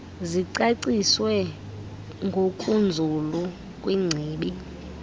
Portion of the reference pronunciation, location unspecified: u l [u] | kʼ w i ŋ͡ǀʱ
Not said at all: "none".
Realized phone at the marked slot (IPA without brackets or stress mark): u